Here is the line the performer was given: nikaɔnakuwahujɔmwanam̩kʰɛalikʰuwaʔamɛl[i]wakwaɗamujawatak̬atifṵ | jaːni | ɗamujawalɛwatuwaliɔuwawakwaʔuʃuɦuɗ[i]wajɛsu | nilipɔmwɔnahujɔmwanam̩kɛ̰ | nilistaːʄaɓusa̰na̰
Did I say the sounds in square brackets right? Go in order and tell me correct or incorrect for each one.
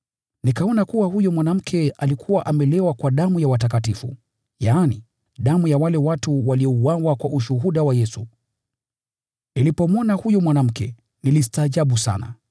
incorrect: ɛ, incorrect: a

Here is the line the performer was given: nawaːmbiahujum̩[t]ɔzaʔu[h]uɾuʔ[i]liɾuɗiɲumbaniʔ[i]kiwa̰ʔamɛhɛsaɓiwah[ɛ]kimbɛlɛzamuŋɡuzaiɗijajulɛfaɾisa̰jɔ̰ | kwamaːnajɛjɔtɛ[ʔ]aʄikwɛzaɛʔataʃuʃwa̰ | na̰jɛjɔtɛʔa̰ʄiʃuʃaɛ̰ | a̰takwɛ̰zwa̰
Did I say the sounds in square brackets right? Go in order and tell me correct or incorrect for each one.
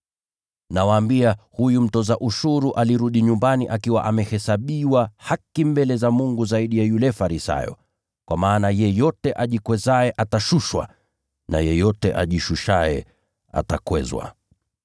correct, incorrect: ʃ, incorrect: a, incorrect: a, incorrect: a, correct

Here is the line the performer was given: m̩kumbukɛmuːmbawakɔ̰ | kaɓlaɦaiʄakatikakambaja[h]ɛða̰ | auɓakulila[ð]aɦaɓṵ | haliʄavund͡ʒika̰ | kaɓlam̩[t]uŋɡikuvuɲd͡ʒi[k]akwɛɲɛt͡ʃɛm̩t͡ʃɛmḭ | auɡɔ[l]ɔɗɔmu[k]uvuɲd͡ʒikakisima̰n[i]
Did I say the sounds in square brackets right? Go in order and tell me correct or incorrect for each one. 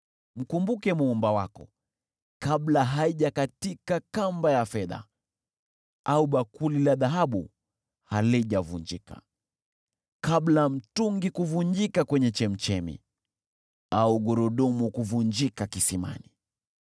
incorrect: f, correct, correct, correct, incorrect: ɾ, correct, correct

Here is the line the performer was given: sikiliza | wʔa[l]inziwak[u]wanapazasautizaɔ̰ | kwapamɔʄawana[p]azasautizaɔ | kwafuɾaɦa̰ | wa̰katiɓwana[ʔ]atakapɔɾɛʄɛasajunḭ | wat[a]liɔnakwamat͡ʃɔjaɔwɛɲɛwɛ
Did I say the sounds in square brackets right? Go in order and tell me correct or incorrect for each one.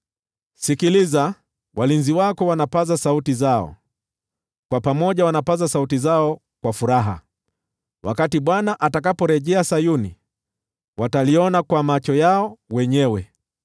correct, incorrect: ɔ, correct, correct, correct

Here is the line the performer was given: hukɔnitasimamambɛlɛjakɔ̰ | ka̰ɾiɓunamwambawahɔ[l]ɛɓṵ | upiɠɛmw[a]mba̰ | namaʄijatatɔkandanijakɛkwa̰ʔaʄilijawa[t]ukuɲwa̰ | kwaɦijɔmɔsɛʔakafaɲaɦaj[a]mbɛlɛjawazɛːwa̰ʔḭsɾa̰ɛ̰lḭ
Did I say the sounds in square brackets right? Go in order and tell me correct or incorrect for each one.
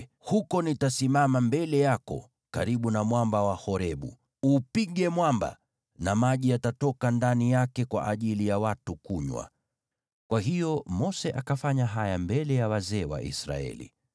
incorrect: ɾ, correct, correct, correct

